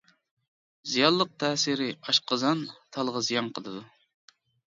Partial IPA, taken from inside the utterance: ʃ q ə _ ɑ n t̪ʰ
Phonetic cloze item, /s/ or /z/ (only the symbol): z